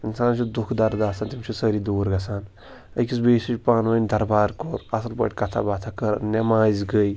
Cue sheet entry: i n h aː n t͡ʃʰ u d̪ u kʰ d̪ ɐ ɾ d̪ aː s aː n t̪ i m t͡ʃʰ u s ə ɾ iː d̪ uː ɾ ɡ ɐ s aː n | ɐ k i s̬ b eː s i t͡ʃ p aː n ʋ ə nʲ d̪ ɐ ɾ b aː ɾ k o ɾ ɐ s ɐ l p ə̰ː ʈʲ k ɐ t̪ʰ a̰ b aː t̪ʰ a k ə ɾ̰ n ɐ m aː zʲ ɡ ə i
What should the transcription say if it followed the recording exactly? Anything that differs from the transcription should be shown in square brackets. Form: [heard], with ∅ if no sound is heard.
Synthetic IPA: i n [s] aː n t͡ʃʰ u d̪ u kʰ d̪ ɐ ɾ d̪ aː s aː n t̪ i m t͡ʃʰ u s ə ɾ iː d̪ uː ɾ ɡ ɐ s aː n | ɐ k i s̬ b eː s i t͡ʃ p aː n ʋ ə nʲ d̪ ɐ ɾ b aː ɾ k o ɾ ɐ s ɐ l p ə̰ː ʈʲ k ɐ t̪ʰ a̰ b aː t̪ʰ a k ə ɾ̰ n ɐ m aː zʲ ɡ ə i